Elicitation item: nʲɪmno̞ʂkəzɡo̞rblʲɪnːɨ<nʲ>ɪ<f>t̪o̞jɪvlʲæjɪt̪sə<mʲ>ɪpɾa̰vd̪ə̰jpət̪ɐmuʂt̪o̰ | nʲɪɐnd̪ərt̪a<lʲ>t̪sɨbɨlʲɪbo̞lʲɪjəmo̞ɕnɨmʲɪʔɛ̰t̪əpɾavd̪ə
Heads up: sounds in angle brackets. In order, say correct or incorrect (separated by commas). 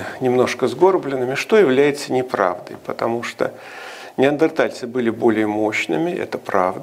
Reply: incorrect, incorrect, incorrect, correct